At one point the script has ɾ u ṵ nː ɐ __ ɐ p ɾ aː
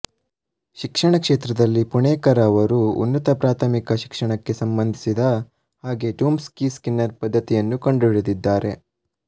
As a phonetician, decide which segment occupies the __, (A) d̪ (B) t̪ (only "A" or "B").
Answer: B